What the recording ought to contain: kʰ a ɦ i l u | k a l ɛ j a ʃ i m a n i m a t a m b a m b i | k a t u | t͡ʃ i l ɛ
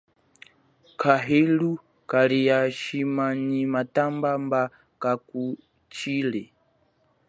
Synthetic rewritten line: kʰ a ɦ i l u | k a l i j a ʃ i m a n i m a t a m b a m b a | k a k u | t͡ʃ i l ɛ

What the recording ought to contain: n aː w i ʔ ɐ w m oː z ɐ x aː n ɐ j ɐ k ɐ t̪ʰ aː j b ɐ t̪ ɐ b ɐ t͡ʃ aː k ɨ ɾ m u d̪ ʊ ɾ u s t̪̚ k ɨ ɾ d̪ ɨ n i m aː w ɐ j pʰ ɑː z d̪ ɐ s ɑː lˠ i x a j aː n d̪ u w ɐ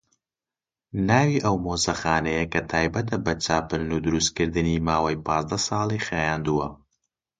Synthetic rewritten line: n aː w i ʔ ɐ w m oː z ɐ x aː n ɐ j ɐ k ɐ t̪ʰ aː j b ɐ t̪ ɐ b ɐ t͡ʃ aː p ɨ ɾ n u d̪ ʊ ɾ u s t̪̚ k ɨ ɾ d̪ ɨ n i m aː w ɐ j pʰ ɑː z d̪ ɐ s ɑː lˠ i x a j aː n d̪ u w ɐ

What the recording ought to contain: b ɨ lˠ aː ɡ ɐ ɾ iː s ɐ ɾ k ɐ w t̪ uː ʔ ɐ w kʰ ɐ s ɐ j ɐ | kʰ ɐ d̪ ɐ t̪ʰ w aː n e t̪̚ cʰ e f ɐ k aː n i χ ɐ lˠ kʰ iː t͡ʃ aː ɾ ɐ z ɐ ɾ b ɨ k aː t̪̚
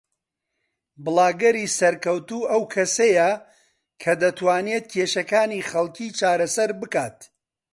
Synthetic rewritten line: b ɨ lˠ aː ɡ ɐ ɾ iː s ɐ ɾ k ɐ w t̪ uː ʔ ɐ w kʰ ɐ s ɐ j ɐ | kʰ ɐ d̪ ɐ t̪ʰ w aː n e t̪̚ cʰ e ʃ ɐ k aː n i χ ɐ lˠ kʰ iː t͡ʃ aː ɾ ɐ s ɐ ɾ b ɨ k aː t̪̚

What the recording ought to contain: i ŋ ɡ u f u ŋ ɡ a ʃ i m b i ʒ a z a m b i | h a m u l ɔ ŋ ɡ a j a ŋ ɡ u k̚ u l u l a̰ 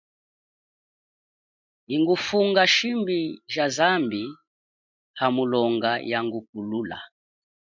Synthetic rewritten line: i ŋ ɡ u f u ŋ ɡ a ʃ i m b i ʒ a z a m b i | h a m u l ɔ ŋ ɡ a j a ŋ ɡ u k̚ u l u l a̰

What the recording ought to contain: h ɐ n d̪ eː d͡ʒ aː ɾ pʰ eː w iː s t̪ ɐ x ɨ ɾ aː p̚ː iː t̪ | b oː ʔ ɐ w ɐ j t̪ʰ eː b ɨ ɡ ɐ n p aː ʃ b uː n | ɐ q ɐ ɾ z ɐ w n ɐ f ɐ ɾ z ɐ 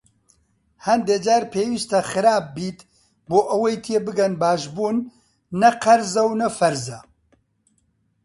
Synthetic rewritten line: h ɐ n d̪ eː d͡ʒ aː ɾ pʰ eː w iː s t̪ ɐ x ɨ ɾ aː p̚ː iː t̪ | b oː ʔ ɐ w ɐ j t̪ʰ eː b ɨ ɡ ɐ n b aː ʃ b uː nː | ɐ q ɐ ɾ z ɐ w n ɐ f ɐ ɾ z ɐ

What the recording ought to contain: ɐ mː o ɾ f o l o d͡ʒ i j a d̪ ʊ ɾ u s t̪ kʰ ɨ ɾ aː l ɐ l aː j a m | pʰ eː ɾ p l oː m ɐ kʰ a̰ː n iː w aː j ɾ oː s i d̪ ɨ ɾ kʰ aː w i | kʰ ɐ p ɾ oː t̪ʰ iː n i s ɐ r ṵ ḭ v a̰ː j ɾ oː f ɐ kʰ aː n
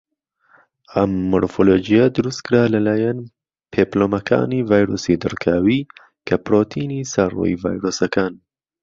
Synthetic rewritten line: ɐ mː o ɾ f o l o d͡ʒ i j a d̪ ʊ ɾ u s t̪ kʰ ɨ ɾ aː l ɐ l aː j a n | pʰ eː p l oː m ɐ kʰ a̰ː n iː v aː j ɾ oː s i d̪ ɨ ɾ kʰ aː w i | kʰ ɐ p ɾ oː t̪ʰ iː n i s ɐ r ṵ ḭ v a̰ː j ɾ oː s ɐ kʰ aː n

